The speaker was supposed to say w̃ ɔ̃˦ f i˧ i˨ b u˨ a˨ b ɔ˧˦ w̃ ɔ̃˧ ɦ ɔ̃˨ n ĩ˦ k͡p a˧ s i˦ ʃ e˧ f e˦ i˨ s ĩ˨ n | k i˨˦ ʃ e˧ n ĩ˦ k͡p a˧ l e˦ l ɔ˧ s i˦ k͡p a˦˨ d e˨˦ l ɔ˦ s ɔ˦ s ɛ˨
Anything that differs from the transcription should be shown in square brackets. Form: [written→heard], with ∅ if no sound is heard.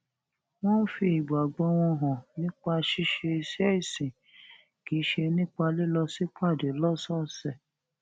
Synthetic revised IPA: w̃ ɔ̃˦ f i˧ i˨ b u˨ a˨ [b→ɡ͡b] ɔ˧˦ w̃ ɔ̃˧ ɦ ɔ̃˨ n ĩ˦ k͡p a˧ [s→ʃ] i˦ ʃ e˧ [f→s] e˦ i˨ s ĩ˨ [n→∅] | k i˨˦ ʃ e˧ n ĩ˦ k͡p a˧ l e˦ l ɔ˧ s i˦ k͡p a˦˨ d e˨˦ l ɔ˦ s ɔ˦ s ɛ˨